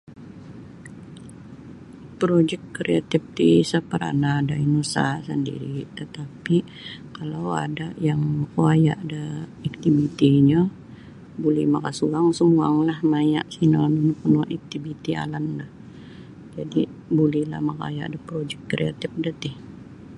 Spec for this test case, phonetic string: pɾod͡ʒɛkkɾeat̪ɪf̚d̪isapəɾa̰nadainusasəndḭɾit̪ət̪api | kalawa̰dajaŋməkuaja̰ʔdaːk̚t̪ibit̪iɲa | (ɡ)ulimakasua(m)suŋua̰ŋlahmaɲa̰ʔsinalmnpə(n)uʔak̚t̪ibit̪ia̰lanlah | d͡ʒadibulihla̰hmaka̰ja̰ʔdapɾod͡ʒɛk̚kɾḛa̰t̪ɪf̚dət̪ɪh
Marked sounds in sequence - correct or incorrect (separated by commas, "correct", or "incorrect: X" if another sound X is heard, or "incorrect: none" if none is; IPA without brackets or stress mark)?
incorrect: b, incorrect: ŋ, correct